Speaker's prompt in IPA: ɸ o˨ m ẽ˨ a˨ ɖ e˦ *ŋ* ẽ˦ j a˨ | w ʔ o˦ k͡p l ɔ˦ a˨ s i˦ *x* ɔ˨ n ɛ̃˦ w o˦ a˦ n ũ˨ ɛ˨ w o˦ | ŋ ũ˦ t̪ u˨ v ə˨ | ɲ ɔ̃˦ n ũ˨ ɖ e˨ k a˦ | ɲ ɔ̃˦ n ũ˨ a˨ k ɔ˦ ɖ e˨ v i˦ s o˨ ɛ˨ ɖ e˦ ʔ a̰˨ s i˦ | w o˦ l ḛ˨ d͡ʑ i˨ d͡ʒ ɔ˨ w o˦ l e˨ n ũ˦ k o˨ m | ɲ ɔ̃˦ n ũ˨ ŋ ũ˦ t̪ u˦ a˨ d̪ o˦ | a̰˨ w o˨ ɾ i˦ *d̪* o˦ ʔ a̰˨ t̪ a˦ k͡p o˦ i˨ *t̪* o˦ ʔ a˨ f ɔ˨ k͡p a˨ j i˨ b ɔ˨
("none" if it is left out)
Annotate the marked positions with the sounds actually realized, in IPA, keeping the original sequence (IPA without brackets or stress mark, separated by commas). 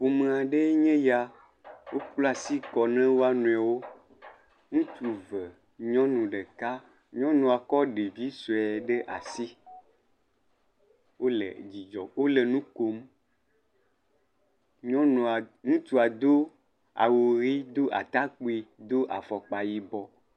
ɲ, k, d̪, d̪